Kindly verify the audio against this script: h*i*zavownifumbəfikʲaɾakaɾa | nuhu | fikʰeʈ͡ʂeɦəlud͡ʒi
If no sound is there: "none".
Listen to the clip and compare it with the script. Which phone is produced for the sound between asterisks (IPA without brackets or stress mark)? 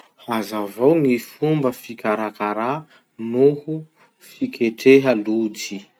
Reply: a